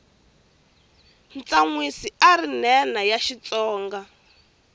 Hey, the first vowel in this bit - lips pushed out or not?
no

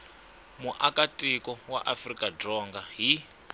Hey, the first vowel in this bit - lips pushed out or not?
yes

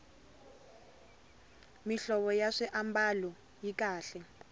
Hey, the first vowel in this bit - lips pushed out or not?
no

